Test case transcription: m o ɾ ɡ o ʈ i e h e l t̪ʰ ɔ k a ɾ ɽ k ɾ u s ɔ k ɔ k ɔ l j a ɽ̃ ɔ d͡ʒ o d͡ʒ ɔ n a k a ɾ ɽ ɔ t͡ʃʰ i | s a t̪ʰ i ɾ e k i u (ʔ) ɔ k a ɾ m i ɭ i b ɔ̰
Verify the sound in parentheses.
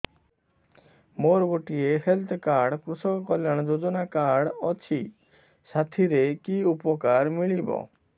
incorrect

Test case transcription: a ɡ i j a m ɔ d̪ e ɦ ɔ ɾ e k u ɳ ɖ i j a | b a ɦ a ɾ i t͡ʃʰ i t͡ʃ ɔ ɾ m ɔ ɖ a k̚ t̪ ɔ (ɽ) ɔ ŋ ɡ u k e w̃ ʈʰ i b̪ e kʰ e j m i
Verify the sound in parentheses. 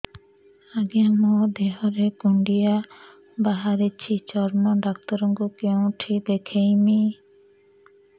incorrect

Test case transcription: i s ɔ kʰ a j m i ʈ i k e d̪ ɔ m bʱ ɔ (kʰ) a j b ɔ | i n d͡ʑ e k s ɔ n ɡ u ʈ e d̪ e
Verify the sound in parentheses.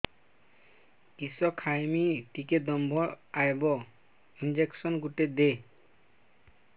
incorrect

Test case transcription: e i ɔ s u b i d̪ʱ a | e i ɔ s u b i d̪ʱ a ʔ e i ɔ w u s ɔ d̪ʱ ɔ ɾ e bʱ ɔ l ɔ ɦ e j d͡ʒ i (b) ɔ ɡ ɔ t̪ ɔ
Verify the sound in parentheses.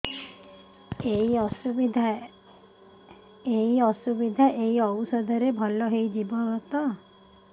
correct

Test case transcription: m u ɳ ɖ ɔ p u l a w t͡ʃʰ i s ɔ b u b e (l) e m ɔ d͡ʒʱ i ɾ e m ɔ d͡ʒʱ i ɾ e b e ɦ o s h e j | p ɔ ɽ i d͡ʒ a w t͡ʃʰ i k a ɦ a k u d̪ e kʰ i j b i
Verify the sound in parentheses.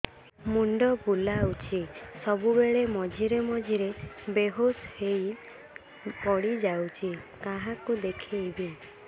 incorrect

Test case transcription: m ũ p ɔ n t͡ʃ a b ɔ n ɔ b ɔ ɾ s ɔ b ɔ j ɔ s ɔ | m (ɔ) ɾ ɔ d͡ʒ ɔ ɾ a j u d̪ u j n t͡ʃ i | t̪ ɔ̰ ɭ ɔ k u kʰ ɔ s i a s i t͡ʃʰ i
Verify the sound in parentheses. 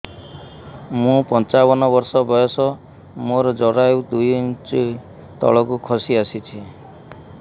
incorrect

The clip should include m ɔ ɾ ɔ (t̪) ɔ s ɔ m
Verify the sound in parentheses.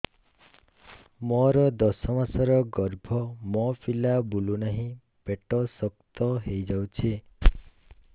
incorrect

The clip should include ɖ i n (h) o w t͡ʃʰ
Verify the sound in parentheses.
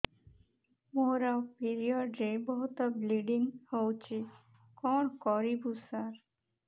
correct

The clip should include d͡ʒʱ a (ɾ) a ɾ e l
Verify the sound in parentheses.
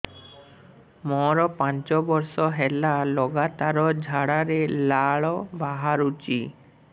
incorrect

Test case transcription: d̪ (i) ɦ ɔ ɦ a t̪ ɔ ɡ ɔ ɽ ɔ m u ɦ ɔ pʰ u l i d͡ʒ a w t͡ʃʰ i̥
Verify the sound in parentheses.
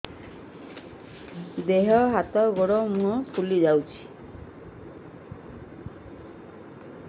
incorrect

